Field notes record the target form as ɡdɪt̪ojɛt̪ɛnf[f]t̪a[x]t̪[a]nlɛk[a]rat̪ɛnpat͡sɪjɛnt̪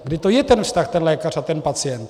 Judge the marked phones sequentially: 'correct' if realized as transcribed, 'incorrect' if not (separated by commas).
incorrect, correct, incorrect, correct